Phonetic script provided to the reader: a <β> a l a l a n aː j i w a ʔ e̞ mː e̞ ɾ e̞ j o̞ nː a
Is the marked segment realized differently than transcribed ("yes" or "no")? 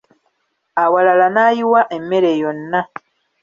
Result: yes